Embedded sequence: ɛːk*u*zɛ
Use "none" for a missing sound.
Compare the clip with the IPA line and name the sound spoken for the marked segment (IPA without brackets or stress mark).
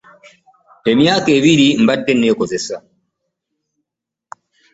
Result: ɔ